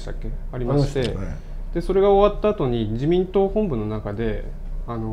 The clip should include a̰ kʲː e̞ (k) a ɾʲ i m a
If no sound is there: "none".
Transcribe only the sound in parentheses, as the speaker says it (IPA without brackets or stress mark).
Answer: none